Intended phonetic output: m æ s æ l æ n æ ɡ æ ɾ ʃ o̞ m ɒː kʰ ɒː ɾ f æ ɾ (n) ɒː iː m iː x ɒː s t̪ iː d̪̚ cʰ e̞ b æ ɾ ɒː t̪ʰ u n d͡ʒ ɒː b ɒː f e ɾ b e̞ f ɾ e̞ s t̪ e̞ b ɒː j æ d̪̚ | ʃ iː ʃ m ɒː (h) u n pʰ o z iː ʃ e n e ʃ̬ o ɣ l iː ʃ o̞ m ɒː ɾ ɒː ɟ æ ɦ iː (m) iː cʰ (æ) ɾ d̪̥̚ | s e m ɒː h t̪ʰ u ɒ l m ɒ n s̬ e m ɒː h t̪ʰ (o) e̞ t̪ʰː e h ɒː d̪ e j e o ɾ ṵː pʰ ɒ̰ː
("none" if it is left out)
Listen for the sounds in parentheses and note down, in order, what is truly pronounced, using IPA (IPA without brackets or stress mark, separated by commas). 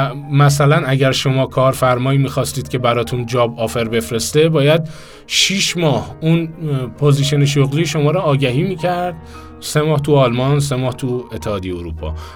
m, h, m, æ, u